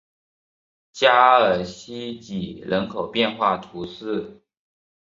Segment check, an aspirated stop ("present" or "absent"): present